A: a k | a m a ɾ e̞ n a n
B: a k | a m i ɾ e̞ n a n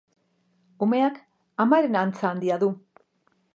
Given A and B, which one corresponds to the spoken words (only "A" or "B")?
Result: A